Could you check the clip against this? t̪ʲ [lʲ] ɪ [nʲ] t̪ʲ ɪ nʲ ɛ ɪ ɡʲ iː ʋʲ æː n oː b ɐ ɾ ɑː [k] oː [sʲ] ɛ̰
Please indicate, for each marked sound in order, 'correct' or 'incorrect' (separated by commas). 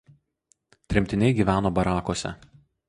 incorrect, incorrect, correct, correct